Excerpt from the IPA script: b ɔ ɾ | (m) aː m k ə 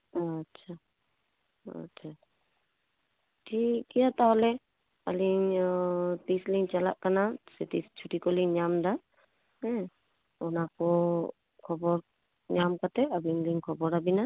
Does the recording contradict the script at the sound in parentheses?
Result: yes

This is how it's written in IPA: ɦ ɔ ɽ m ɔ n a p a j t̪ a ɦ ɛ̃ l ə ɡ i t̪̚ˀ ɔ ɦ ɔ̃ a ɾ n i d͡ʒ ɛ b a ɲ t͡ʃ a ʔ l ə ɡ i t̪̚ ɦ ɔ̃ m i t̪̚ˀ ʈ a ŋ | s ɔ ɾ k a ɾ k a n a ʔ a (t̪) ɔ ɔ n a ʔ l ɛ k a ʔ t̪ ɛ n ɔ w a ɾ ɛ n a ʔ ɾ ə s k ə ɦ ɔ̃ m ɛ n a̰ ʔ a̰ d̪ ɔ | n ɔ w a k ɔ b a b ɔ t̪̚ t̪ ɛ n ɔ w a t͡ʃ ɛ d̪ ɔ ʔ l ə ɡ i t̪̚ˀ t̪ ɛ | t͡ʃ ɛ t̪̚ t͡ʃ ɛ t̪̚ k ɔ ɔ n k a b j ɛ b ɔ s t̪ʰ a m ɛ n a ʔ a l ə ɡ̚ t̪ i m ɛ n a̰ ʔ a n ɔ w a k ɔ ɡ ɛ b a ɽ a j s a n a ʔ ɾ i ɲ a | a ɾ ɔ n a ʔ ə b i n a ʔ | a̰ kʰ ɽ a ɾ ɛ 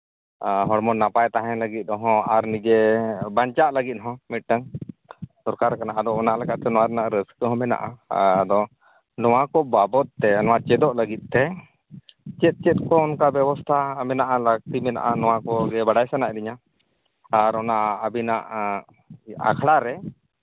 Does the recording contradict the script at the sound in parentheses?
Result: yes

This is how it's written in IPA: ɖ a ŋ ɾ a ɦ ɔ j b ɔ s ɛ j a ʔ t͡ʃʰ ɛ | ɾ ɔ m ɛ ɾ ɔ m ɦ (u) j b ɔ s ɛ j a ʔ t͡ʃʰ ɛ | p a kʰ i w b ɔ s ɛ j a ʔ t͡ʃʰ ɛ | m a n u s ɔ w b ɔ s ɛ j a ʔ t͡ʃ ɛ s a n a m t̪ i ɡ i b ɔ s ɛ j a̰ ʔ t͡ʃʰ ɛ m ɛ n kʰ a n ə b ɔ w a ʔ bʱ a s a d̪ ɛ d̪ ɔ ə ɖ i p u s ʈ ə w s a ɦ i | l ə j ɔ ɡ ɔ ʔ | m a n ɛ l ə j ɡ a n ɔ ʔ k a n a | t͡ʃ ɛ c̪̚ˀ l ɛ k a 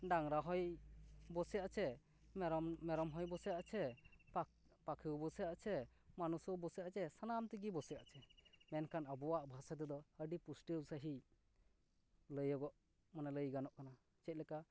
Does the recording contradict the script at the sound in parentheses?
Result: yes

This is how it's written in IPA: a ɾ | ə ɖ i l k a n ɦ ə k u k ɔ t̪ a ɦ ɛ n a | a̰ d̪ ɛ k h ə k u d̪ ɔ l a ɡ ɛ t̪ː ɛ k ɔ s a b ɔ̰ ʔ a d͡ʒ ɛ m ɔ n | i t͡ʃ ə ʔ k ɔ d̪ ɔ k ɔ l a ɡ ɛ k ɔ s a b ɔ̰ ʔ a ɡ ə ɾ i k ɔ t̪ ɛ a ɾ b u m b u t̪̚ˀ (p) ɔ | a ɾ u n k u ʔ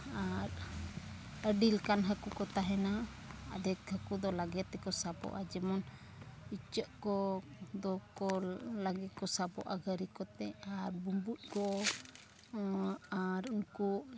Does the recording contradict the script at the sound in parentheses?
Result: yes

